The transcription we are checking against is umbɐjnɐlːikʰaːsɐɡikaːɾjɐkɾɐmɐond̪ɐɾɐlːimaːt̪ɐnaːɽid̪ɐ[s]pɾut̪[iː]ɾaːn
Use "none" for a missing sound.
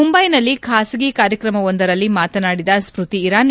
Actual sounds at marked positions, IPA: s, iː

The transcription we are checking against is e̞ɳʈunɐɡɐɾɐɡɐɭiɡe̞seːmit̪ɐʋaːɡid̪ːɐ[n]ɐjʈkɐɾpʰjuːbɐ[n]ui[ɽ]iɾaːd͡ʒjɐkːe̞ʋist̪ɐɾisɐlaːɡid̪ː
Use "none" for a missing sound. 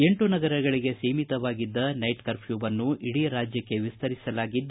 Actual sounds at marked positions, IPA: n, nː, ɽ

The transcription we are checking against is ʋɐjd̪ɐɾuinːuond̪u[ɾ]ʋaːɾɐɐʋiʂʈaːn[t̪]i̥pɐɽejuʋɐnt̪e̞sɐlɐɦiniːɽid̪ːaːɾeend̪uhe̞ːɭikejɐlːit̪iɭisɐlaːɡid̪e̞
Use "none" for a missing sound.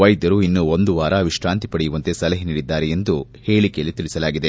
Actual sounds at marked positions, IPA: none, t̪

